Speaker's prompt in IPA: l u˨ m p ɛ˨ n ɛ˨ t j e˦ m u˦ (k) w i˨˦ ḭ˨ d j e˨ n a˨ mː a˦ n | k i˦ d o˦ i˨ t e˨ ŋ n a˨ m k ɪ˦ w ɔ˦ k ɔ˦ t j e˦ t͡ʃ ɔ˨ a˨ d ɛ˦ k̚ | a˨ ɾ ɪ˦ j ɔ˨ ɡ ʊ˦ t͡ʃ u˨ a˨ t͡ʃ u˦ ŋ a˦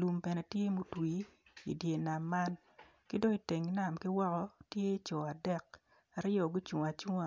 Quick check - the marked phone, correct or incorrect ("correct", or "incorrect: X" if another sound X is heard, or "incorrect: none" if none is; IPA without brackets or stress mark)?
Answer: incorrect: t